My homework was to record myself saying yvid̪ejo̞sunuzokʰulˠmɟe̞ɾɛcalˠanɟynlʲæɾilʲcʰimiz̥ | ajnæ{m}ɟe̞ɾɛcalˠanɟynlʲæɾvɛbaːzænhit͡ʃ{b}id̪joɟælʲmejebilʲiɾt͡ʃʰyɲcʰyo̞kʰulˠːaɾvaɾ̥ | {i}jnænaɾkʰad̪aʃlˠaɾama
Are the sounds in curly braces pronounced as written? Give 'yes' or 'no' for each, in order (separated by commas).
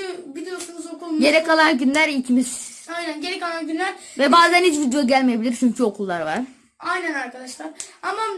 no, no, no